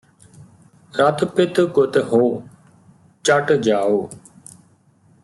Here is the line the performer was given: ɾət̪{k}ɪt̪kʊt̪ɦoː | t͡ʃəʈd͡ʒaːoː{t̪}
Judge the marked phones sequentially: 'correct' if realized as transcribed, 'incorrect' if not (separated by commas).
incorrect, incorrect